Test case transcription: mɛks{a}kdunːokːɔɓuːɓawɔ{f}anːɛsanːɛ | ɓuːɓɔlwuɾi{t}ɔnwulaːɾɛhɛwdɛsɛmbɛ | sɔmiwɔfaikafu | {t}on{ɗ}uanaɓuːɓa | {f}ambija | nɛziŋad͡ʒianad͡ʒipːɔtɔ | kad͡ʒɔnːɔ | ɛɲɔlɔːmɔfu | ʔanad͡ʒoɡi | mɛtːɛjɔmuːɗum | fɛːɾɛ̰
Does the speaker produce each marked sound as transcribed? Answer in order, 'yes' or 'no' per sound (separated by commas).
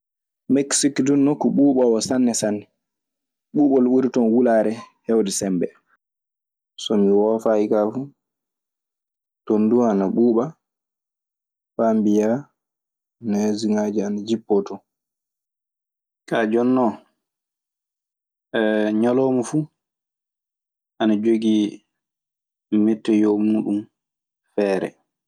no, no, yes, yes, no, yes